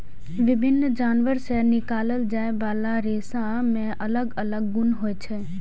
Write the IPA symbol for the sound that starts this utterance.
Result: ʋ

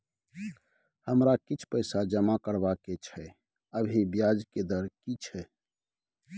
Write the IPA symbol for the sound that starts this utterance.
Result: h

